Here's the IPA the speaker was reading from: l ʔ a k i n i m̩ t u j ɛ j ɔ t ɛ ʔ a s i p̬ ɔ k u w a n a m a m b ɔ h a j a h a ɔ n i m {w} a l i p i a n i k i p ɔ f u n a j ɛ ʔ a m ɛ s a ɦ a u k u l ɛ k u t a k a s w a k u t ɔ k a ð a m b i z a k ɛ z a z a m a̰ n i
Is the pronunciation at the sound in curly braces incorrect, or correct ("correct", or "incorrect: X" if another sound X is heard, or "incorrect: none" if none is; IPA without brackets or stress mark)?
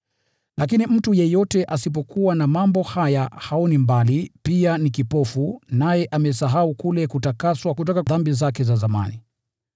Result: incorrect: b